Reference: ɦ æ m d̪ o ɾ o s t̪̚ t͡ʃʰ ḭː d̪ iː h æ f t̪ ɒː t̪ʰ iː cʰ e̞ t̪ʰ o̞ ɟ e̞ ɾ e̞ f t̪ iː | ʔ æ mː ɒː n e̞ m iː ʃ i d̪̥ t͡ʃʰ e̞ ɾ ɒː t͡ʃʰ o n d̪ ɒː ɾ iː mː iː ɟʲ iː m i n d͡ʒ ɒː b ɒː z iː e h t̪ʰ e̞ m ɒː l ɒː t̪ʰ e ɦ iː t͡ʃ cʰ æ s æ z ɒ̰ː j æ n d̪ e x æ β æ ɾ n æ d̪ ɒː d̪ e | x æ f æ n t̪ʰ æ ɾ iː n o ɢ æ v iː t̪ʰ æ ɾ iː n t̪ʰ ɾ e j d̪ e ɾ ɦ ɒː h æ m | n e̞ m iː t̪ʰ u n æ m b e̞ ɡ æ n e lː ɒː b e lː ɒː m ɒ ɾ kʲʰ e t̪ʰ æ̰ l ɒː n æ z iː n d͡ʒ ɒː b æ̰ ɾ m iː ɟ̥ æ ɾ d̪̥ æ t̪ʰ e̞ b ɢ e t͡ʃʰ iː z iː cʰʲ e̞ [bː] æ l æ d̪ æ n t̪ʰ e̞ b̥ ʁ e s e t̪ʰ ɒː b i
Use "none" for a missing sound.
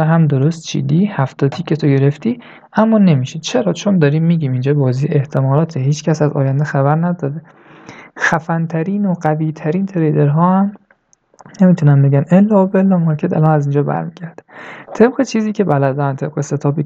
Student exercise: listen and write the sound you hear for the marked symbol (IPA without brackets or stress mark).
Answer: b